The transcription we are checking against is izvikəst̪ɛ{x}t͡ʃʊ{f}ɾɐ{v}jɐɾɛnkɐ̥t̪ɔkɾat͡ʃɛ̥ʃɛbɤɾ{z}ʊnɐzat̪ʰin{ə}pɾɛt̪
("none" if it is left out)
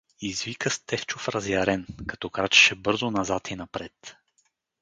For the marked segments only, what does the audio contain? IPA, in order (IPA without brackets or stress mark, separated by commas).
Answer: f, f, z, z, ɐ